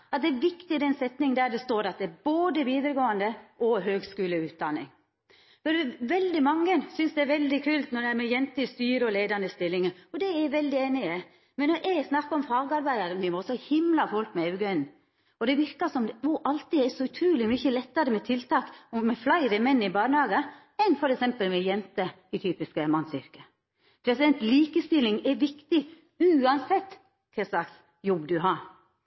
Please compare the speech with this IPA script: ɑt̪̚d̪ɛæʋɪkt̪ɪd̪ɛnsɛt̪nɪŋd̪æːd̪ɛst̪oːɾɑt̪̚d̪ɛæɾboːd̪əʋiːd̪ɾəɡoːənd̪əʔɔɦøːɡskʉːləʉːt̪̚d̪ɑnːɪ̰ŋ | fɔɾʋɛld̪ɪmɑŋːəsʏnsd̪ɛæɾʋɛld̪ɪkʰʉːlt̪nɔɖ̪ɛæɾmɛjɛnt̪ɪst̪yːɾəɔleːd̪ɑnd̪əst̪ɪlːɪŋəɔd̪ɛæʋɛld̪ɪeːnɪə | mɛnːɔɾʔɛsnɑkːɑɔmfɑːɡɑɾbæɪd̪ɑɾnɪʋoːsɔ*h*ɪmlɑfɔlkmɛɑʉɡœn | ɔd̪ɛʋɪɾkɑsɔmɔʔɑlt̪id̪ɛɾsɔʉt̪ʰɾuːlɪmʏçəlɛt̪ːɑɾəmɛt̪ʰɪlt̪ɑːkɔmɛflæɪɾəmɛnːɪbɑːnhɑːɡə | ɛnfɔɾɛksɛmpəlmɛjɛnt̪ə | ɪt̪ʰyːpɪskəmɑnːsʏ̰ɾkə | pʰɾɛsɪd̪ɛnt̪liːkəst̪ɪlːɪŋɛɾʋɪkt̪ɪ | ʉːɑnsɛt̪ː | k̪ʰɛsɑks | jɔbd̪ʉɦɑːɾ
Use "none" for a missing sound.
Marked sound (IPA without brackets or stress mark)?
h